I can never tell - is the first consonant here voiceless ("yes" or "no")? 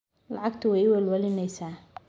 no